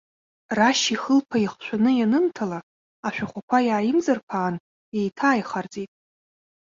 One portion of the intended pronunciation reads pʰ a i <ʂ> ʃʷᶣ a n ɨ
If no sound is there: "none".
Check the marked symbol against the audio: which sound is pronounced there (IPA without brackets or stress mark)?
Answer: χ